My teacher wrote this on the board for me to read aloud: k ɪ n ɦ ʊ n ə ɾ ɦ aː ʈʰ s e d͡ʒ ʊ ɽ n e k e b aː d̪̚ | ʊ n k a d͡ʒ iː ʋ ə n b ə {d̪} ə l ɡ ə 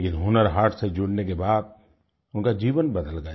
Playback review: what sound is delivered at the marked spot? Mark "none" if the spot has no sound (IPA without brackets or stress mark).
d̪